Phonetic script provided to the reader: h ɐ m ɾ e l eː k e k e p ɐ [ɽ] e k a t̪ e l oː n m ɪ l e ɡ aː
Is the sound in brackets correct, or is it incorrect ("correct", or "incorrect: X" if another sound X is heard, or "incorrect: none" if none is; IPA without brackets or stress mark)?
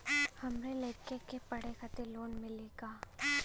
correct